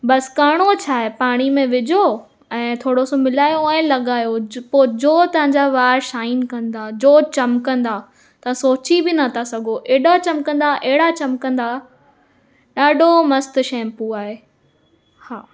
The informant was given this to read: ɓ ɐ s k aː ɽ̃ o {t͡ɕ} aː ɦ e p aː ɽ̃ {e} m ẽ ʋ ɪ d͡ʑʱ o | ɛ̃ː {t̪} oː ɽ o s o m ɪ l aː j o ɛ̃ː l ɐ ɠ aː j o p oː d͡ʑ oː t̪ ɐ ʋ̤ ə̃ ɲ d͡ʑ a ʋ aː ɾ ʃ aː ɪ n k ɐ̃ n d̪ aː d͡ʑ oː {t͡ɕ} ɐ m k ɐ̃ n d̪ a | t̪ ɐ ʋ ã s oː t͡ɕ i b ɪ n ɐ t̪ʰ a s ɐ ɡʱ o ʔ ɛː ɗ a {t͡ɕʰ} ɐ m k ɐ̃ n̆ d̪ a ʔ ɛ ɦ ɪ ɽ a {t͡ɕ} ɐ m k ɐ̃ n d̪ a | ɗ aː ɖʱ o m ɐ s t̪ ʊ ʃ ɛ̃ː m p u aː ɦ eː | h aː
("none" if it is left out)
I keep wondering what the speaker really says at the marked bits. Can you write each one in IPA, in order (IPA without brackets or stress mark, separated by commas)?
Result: t͡ɕʰ, i, t̪ʰ, t͡ɕ, t͡ɕ, t͡ɕ